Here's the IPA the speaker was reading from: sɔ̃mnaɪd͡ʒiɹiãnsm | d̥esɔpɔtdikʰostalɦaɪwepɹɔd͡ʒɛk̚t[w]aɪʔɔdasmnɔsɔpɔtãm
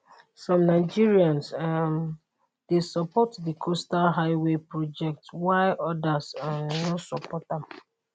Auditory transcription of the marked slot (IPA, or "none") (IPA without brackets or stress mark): w